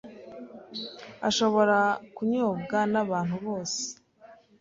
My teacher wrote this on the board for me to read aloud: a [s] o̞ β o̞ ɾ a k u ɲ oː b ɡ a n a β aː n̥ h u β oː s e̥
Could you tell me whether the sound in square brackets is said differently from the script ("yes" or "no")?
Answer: yes